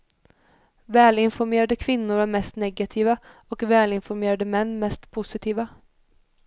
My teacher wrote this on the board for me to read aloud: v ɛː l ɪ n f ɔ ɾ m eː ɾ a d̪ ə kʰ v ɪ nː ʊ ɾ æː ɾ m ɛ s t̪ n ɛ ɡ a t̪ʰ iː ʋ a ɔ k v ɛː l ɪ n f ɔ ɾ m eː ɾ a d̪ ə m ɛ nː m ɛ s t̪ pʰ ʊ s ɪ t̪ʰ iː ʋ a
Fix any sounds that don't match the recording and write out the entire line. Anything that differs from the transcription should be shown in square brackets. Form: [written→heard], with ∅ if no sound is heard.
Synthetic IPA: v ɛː l ɪ n f ɔ ɾ m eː ɾ a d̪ ə kʰ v ɪ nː ʊ ɾ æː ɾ m ɛ s t̪ n ɛ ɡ a t̪ʰ iː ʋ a ɔ k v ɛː l ɪ n f ɔ ɾ m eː ɾ a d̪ ə m ɛ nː m ɛ s t̪ pʰ ʊ s ɪ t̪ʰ iː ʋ a